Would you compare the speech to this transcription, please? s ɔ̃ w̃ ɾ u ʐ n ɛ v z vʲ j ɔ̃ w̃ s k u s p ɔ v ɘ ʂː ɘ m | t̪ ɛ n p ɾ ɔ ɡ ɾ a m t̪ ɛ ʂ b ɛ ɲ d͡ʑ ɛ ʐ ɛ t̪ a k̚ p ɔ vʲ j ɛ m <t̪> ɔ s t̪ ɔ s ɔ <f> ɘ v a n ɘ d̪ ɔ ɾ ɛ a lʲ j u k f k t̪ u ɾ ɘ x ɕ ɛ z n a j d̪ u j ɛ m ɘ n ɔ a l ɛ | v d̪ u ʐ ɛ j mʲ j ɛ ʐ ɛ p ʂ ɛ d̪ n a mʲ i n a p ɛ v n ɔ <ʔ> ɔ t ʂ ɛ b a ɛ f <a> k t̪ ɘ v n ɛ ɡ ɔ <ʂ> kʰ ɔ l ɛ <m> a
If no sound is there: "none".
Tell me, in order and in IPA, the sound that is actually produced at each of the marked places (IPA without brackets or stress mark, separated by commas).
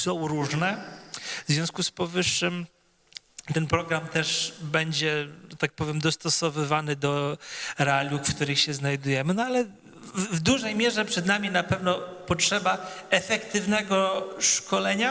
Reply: d̪, v, p, ɛ, ʂ, ɲ